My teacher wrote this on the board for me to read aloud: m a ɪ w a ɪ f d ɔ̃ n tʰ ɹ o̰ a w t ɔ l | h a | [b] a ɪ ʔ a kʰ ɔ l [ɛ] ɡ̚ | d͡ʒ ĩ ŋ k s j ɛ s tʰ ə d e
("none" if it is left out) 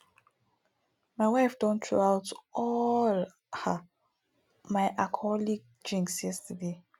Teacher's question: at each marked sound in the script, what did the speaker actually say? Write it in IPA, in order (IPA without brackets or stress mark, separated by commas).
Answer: m, i